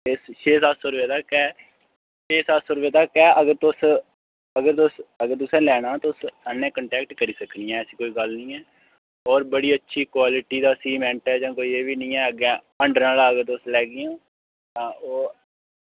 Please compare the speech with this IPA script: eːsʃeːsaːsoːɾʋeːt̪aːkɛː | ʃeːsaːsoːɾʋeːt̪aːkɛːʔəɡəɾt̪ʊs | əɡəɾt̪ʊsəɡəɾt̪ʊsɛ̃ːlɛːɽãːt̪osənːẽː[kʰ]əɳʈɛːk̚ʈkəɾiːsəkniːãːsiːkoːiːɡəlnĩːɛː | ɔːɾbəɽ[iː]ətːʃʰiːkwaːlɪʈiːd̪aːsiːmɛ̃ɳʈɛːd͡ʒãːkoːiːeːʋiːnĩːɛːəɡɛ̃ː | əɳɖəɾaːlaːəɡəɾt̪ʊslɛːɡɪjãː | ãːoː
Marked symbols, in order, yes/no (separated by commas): no, yes